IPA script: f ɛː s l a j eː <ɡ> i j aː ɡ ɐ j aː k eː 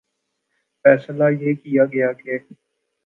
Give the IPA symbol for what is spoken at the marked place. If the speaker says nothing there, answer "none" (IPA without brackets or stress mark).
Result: k